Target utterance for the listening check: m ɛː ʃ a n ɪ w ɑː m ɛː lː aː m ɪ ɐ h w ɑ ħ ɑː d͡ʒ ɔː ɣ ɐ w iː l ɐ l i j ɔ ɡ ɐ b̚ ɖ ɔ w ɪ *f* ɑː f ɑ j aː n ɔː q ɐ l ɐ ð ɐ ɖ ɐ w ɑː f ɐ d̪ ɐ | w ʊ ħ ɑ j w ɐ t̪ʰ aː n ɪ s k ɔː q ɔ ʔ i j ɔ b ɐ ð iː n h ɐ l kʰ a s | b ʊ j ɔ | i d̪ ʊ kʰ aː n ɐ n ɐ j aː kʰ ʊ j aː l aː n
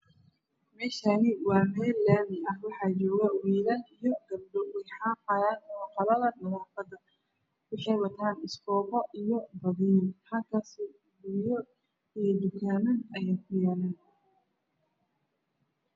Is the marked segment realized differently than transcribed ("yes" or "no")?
yes